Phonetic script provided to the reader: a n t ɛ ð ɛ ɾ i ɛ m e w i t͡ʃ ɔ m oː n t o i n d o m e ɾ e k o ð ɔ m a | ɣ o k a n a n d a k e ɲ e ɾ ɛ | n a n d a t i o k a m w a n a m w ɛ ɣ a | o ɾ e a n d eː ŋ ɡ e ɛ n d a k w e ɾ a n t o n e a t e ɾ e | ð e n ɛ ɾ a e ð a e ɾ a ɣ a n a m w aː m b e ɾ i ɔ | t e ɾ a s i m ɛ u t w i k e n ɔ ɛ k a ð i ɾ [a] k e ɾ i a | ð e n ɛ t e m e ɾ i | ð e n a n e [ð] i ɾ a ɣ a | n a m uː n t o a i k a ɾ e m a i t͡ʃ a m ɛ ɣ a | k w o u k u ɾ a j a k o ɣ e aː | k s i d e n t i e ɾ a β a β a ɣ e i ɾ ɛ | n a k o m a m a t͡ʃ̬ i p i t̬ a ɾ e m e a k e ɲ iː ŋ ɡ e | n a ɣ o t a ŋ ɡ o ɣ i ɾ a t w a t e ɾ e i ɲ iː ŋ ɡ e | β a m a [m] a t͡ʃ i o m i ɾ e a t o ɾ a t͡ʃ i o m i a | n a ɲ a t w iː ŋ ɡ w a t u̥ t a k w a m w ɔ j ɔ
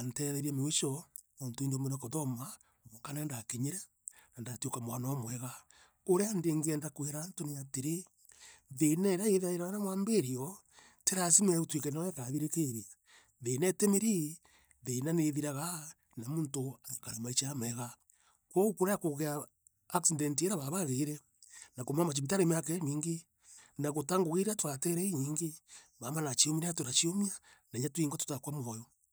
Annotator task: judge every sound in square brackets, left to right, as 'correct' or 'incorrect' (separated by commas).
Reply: incorrect, correct, incorrect